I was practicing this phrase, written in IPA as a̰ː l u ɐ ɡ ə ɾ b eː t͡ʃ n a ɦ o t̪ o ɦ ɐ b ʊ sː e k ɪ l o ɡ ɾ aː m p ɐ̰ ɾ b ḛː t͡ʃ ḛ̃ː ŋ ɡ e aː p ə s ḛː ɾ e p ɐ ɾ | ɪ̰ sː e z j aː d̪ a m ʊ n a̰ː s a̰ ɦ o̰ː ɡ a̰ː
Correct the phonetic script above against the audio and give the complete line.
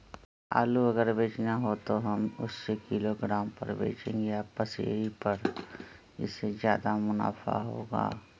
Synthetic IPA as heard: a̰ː l u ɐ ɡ ə ɾ b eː t͡ʃ n a ɦ o t̪ o ɦ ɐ m ʊ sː e k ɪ l o ɡ ɾ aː m p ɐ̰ ɾ b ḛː t͡ʃ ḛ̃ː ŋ ɡ e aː p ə s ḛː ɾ i p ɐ ɾ | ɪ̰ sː e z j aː d̪ a m ʊ n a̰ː f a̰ ɦ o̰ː ɡ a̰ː